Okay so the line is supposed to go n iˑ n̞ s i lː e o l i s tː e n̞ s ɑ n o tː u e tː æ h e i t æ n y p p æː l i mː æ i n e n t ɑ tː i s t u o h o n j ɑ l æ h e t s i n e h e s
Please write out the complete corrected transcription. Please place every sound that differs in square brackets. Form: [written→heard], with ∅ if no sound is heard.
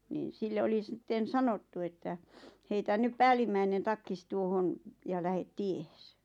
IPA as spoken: n iˑ n̞ s i lː e o l i s tː e n̞ s ɑ n o tː u e tː æ h e i t æ n y p p æː l i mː æ i n e n t ɑ [tː→kː] i s t u o h o n j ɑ l æ h e t [s→t] i [n→∅] e h e s